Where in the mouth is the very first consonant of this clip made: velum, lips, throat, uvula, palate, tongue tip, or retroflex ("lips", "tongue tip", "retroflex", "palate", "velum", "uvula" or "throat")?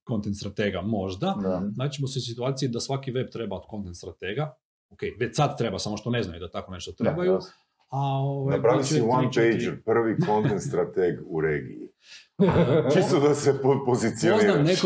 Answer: velum